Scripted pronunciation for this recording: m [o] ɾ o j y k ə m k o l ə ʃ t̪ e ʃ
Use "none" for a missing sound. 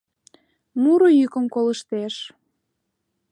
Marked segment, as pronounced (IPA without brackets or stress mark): u